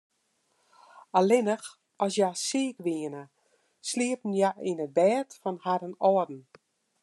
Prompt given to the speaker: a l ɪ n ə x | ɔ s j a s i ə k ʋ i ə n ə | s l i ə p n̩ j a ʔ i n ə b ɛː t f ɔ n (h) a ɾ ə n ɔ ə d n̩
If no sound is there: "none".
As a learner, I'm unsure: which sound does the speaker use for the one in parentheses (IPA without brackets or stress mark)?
h